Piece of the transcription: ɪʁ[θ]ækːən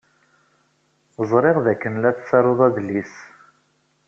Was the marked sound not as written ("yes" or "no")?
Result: yes